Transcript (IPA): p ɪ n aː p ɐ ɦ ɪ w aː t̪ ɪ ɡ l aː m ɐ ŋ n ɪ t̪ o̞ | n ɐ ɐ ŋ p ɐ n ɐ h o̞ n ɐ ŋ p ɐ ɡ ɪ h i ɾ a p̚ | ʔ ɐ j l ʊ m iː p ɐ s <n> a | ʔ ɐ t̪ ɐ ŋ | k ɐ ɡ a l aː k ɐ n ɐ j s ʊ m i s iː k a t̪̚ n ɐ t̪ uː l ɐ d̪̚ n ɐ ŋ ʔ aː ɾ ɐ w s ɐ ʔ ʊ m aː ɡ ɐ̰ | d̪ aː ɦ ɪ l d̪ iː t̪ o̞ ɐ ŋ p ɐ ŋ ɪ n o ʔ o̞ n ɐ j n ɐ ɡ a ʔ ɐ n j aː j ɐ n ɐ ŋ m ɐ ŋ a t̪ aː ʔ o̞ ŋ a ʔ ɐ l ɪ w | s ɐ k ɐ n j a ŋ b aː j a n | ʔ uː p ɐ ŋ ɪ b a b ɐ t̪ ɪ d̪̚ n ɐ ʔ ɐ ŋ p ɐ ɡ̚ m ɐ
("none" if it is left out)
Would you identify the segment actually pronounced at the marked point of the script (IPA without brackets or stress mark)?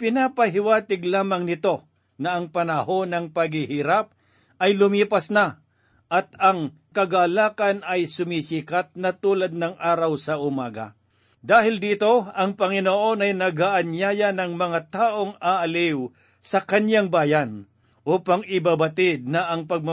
n